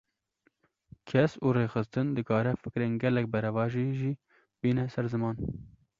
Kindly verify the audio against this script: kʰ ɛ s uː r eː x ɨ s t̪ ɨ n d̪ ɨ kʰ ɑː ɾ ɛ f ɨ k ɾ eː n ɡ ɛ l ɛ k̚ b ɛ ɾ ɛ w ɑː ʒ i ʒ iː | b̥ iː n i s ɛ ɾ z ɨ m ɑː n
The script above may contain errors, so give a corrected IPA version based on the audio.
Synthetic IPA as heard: kʰ ɛ s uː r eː x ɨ s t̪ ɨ n d̪ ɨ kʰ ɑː ɾ ɛ f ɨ k ɾ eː n ɡ ɛ l ɛ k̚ b ɛ ɾ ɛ v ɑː ʒ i ʒ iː | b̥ iː n ɛ s ɛ ɾ z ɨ m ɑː n

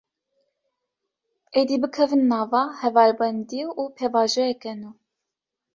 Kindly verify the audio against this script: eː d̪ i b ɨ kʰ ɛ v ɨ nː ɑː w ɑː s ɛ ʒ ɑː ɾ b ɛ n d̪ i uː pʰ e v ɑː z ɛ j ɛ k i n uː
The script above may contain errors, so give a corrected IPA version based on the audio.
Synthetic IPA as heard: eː d̪ i b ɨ kʰ ɛ v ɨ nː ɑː v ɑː h ɛ v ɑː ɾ b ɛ n d̪ i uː pʰ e v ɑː ʒ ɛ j ɛ k ɛ n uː

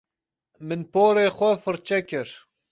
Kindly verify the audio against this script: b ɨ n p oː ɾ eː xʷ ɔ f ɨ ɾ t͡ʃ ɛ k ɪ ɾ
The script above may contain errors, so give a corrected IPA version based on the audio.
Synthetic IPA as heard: m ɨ n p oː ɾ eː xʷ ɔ f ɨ ɾ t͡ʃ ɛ k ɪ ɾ

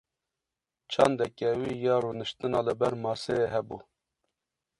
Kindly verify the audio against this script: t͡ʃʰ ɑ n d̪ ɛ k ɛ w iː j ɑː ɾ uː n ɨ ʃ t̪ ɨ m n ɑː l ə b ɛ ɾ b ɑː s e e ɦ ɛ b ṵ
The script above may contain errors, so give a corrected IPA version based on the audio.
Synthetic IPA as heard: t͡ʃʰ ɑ n d̪ ɛ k ɛ w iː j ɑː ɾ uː n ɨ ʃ t̪ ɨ n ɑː l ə b ɛ ɾ m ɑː s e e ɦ ɛ b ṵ

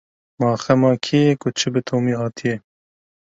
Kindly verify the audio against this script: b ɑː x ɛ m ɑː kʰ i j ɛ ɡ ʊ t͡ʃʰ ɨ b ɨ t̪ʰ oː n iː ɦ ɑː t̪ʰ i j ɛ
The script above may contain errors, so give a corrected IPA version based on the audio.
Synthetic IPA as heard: m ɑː x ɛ m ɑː kʰ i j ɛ k ʊ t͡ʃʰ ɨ b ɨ t̪ʰ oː m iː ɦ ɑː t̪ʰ i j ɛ

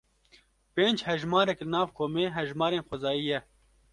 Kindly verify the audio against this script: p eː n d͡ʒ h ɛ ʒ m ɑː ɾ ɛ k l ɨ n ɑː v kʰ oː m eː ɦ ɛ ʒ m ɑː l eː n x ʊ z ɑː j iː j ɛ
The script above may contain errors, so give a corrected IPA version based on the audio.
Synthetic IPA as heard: p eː n d͡ʒ h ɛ ʒ m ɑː ɾ ɛ k l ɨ n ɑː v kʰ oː m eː ɦ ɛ ʒ m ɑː ɾ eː n x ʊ z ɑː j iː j ɛ

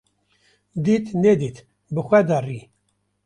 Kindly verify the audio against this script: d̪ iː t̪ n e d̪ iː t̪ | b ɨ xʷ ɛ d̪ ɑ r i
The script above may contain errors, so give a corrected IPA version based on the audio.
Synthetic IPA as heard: d̪ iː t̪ n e d̪ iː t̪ | b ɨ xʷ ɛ d̪ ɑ r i

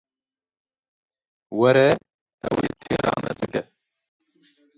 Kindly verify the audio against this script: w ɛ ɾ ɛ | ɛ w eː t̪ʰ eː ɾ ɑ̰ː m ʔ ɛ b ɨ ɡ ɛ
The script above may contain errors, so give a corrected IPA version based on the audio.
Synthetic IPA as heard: w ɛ ɾ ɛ | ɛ w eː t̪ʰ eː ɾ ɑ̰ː m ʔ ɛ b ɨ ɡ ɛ

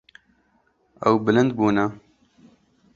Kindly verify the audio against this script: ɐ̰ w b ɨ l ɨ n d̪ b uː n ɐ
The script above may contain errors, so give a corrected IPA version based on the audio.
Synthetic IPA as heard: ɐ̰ w b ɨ l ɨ n d̪ b uː n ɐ

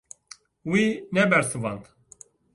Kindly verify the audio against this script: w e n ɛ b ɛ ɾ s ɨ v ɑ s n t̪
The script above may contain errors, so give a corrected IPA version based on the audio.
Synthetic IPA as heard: w i n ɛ b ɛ ɾ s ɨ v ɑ n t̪

